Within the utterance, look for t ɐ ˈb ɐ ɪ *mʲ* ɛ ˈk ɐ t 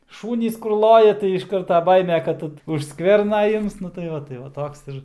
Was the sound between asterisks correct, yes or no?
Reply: yes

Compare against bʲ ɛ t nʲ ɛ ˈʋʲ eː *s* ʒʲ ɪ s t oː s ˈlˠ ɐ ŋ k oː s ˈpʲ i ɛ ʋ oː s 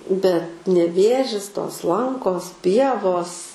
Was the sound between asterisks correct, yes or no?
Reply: no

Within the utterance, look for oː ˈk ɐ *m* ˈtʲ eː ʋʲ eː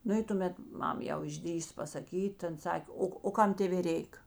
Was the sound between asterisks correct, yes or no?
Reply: yes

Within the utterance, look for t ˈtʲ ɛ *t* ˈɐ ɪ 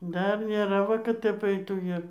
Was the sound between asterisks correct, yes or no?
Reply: no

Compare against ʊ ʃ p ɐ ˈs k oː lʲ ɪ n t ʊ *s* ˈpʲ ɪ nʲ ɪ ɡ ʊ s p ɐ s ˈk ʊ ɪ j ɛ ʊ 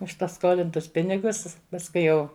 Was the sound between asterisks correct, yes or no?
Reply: yes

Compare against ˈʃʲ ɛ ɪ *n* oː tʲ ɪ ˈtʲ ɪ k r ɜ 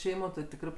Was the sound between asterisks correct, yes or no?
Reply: no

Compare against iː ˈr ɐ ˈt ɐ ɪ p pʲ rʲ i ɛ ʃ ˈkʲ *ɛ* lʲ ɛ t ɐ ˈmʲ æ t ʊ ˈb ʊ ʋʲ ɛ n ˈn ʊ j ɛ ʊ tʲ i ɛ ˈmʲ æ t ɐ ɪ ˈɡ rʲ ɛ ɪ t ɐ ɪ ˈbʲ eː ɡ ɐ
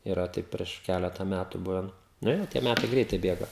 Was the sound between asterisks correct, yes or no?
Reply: no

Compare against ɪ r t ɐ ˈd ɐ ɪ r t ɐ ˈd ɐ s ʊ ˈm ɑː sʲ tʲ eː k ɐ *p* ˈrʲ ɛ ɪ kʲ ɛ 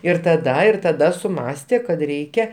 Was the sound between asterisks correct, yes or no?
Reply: no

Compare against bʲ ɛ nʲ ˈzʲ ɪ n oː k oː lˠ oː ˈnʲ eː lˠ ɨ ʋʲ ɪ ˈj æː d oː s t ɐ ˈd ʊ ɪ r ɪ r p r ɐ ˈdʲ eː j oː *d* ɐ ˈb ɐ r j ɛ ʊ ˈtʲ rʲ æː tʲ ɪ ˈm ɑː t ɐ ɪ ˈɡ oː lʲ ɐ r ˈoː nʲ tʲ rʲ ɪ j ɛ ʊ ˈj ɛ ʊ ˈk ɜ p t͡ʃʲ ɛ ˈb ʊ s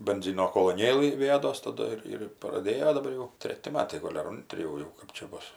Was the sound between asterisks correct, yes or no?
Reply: yes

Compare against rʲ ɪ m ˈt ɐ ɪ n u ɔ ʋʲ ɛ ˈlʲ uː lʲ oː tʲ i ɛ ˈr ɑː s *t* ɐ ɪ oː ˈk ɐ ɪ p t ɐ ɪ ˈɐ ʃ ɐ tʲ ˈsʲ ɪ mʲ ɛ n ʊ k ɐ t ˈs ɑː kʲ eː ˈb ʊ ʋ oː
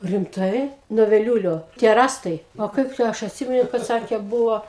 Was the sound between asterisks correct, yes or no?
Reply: yes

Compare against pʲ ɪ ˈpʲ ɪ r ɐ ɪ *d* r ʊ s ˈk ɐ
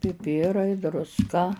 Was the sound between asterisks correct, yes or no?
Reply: yes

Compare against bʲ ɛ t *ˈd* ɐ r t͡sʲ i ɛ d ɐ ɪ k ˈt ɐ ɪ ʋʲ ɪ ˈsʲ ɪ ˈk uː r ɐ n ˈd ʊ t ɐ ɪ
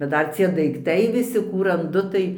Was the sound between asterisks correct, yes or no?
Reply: yes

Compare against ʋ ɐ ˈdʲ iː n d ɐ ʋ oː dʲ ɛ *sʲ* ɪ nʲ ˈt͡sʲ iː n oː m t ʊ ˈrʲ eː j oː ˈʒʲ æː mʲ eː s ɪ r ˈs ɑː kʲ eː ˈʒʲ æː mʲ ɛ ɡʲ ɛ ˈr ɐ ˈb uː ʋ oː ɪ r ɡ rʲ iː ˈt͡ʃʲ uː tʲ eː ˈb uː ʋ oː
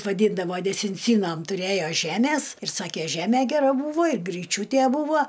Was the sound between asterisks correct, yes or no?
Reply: yes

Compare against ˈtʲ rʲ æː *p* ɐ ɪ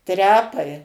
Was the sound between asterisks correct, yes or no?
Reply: yes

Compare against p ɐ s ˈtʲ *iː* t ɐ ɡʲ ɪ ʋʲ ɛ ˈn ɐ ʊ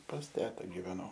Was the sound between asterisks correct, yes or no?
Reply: no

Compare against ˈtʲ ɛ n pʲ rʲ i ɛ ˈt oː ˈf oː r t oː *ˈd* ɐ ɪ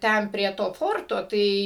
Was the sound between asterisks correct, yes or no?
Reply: no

